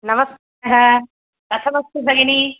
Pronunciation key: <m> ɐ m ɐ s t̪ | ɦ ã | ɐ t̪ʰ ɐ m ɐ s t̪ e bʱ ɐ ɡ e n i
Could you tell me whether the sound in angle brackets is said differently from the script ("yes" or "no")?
yes